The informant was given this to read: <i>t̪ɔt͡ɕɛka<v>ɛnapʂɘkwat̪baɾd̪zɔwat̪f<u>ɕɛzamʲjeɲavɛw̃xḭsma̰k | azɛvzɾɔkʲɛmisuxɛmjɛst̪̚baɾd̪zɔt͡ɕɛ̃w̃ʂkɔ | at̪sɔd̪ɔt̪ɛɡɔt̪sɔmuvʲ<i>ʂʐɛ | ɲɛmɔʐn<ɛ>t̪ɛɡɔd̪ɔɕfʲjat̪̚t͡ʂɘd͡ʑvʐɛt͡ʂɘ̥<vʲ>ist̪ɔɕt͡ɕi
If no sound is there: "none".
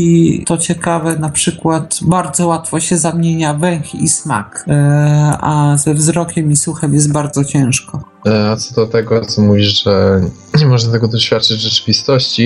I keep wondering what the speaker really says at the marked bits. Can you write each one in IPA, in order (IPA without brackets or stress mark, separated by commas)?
i, v, ɔ, i, a, vʲ